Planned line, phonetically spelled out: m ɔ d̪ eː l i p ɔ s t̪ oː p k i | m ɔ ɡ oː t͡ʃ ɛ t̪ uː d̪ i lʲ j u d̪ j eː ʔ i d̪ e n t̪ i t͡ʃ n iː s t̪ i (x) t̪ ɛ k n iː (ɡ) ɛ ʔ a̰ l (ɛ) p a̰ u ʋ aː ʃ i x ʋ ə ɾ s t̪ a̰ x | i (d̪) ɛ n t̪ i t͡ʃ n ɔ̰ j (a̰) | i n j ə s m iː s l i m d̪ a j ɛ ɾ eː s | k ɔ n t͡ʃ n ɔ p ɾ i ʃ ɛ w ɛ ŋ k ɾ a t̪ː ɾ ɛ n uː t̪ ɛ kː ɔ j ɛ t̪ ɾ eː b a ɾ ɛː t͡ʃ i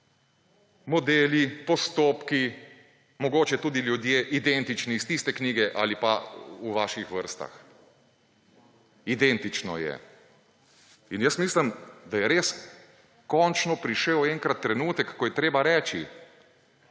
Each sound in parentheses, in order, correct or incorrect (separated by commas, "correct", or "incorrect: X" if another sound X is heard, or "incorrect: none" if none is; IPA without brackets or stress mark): incorrect: s, correct, incorrect: i, correct, incorrect: ɛ̰